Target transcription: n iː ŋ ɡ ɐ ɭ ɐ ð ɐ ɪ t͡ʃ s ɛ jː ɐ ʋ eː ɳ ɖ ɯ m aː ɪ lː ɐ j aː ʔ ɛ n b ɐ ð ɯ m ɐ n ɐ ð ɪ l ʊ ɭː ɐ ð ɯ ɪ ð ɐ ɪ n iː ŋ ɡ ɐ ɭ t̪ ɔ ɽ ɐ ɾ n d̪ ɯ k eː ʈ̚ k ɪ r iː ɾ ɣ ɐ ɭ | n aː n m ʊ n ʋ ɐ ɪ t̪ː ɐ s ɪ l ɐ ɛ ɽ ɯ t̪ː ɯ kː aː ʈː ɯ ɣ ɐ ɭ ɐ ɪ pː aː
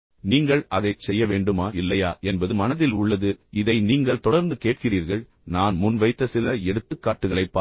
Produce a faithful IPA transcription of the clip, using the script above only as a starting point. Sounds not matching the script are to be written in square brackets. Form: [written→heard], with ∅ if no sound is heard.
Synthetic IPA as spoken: n iː ŋ ɡ ɐ ɭ ɐ ð ɐ ɪ t͡ʃ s ɛ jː ɐ ʋ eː ɳ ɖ ɯ m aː ɪ lː ɐ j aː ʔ ɛ n b ɐ ð ɯ m ɐ n ɐ ð ɪ l ʊ ɭː ɐ ð ɯ ɪ ð ɐ ɪ n iː ŋ ɡ ɐ ɭ t̪ ɔ ɽ ɐ ɾ n d̪ ɯ k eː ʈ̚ k ɪ r iː ɾ ɣ ɐ ɭ | n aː n m ʊ n ʋ ɐ ɪ t̪ː ɐ s ɪ l ɐ ɛ ɽ ɯ t̪ː ɯ kː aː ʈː ɯ ɣ ɐ ɭ ɐ ɪ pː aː